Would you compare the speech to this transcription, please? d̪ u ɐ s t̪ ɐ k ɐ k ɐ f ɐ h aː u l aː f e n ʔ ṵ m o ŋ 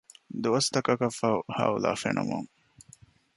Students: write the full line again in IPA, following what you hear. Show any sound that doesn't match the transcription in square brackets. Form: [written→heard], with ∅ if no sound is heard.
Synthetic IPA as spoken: d̪ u ɐ s t̪ ɐ k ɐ k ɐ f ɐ h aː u l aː f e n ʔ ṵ m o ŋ

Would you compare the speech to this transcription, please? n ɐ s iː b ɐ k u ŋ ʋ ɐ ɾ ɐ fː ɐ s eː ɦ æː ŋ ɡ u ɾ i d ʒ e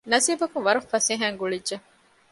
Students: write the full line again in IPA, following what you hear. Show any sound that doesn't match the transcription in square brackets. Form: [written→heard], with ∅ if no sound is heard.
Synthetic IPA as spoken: n ɐ s iː b ɐ k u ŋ ʋ ɐ ɾ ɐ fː ɐ s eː ɦ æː ŋ ɡ u [ɾ→ɭ] i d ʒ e

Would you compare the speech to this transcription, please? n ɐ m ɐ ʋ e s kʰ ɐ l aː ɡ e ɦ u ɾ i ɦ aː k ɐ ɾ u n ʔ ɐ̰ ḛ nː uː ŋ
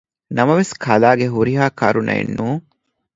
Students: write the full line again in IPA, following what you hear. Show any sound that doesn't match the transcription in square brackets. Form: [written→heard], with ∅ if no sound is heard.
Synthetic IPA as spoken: n ɐ m ɐ ʋ e s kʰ ɐ l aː ɡ e ɦ u ɾ i ɦ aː k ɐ ɾ u n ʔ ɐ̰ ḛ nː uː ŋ

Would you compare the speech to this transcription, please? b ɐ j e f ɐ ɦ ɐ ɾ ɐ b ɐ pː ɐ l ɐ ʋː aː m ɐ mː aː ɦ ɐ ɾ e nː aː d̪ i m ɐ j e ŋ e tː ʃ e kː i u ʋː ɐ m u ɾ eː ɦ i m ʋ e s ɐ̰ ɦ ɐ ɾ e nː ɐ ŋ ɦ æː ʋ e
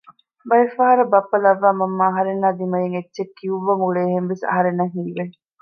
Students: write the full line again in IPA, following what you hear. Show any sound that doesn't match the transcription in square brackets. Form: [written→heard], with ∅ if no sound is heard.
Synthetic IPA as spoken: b ɐ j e f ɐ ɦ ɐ ɾ ɐ b ɐ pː ɐ l ɐ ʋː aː m ɐ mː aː ɦ ɐ ɾ e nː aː d̪ i m ɐ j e ŋ e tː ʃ e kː i u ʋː ɐ m u [ɾ→ɭ] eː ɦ [i→e] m ʋ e s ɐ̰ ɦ ɐ ɾ e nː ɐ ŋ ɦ [æː→iː] ʋ e

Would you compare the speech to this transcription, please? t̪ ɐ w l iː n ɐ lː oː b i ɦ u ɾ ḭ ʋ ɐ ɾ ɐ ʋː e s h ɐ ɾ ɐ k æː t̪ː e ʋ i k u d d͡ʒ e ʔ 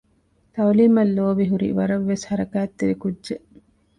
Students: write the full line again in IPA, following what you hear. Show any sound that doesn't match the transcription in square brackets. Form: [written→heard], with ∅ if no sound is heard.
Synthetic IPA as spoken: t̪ ɐ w l iː [n→m] ɐ lː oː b i ɦ u ɾ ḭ ʋ ɐ ɾ ɐ ʋː e s h ɐ ɾ ɐ k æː t̪ː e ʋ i k u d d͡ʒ e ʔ

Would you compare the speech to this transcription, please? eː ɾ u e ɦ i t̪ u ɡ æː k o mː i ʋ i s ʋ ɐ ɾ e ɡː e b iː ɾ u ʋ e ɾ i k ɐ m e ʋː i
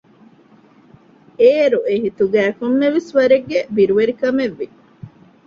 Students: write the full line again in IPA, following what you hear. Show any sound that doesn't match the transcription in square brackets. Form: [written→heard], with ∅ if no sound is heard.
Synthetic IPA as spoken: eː ɾ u e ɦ i t̪ u ɡ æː k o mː [i→e] ʋ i s ʋ ɐ ɾ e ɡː e b [iː→i] ɾ u ʋ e ɾ i k ɐ m e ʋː i

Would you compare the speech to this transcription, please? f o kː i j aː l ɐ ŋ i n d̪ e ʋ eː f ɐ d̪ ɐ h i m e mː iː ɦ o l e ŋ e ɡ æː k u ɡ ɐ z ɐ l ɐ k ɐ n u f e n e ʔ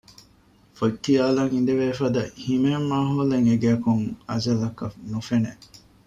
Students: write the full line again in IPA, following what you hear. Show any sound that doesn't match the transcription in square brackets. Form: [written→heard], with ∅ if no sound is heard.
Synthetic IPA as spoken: f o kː i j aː l ɐ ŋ i n d̪ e ʋ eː f ɐ d̪ ɐ h i m e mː [iː→aː] ɦ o l e ŋ e ɡ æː k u [ɡ→ŋ] ɐ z ɐ l ɐ k ɐ n u f e n e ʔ

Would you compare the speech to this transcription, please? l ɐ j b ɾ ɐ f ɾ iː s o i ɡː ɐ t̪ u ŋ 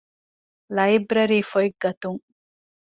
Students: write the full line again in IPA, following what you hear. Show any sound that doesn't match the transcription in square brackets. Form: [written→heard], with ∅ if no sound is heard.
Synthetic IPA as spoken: l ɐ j b ɾ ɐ [f→∅] ɾ iː [s→f] o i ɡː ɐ t̪ u ŋ

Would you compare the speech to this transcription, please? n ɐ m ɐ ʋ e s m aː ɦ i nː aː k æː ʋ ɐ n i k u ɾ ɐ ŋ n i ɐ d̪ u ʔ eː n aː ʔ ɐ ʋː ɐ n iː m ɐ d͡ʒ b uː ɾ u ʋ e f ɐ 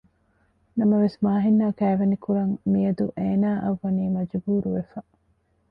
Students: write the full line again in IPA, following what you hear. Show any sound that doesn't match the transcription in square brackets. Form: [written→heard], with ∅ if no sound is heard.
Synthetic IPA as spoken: n ɐ m ɐ ʋ e s m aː ɦ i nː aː k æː ʋ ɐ n i k u ɾ ɐ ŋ [n→m] i ɐ d̪ u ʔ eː n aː ʔ ɐ ʋː ɐ n iː m ɐ d͡ʒ b uː ɾ u ʋ e f ɐ

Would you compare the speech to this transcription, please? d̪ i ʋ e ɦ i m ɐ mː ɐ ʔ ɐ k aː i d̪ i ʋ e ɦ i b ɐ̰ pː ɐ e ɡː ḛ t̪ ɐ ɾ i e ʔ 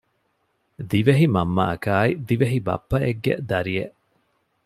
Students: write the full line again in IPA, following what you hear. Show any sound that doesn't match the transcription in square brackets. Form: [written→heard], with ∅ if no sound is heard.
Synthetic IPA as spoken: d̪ i ʋ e ɦ i m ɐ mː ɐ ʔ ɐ k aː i d̪ i ʋ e ɦ i b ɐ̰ pː ɐ e ɡː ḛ [t̪→d̪] ɐ ɾ i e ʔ

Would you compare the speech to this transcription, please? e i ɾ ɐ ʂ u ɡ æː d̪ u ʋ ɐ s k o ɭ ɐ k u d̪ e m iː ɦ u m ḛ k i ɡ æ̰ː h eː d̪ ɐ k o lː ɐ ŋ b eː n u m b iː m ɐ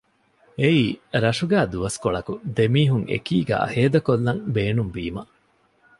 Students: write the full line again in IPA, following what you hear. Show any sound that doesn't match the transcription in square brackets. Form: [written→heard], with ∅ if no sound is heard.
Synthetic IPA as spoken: e [i→iː] ɾ ɐ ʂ u ɡ æː d̪ u ʋ ɐ s k o ɭ ɐ k u d̪ e m iː ɦ u [m→ŋ] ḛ k [i→iː] ɡ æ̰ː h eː d̪ ɐ k o lː ɐ ŋ b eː n u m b iː m ɐ

